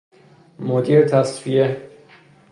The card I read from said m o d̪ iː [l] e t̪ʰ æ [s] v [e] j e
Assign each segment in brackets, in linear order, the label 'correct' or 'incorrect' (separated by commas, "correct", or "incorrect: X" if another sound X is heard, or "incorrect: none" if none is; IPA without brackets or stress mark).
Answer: incorrect: ɾ, correct, incorrect: i